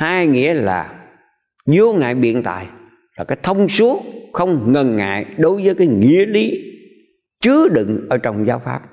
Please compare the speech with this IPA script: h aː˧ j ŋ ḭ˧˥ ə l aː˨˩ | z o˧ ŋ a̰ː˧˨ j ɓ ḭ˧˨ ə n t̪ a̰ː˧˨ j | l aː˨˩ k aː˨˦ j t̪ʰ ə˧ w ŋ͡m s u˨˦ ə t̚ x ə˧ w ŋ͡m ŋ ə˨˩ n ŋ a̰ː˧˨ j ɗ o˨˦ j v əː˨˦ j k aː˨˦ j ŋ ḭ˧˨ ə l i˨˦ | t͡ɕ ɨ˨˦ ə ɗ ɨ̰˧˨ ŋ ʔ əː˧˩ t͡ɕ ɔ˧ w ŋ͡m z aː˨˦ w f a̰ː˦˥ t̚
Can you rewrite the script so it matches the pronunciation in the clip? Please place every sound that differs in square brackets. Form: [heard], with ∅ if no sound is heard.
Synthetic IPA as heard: h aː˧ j ŋ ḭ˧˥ ə l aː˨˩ | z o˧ ŋ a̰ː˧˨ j ɓ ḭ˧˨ ə n t̪ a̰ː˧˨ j | l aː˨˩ k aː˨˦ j t̪ʰ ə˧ w ŋ͡m s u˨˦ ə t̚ x ə˧ w ŋ͡m ŋ ə˨˩ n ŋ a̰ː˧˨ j ɗ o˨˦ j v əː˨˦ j k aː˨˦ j ŋ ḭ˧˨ ə l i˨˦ | t͡ɕ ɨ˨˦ ə ɗ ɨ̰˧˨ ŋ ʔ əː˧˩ t͡ɕ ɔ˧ w ŋ͡m z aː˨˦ w f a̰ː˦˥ [p̚]